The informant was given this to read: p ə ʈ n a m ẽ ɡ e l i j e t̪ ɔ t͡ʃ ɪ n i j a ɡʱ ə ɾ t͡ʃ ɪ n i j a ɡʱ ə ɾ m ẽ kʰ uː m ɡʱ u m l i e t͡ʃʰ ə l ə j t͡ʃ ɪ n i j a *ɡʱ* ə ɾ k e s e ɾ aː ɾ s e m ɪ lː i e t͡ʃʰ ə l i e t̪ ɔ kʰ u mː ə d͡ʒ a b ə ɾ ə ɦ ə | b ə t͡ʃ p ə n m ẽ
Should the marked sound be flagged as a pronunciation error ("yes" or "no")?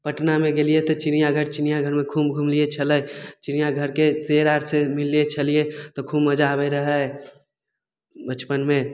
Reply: no